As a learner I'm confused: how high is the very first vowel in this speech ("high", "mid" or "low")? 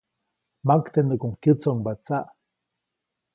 low